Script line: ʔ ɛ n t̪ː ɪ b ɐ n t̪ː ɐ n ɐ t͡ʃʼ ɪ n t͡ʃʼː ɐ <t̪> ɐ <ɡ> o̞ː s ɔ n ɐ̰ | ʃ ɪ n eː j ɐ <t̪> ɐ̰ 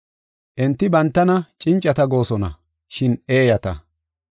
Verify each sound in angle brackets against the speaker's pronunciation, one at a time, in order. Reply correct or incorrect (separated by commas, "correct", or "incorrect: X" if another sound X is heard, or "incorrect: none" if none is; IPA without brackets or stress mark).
correct, correct, correct